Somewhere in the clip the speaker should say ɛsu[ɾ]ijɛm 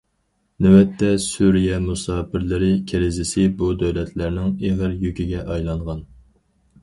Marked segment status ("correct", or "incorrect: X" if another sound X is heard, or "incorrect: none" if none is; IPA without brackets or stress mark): correct